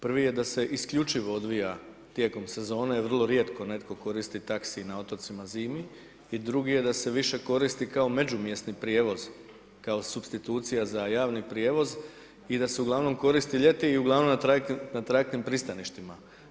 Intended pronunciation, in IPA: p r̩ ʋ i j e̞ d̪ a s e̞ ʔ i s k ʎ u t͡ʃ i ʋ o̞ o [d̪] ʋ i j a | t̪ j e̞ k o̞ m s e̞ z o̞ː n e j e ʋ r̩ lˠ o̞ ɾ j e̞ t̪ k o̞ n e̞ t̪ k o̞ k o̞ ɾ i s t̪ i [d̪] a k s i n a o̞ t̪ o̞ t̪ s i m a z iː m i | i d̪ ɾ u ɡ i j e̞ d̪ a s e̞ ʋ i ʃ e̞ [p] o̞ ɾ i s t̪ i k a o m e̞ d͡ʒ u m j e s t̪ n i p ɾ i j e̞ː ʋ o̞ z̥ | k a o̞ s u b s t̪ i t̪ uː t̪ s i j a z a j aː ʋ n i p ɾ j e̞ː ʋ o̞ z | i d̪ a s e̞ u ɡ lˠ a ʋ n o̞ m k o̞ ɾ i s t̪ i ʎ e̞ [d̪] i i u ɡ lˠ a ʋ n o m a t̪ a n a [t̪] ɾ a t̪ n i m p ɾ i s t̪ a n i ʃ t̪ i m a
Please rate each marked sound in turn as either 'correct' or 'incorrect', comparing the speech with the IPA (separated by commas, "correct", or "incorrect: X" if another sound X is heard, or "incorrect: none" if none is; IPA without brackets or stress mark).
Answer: correct, incorrect: t̪, incorrect: k, incorrect: t̪, correct